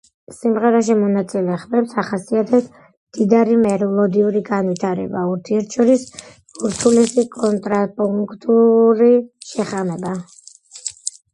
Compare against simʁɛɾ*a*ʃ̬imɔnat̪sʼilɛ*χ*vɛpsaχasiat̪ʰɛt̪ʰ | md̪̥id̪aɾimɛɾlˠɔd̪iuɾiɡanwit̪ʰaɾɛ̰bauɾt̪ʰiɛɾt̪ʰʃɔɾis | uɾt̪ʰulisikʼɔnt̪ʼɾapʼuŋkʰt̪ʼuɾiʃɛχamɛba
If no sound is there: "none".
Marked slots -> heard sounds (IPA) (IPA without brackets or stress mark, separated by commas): a, χ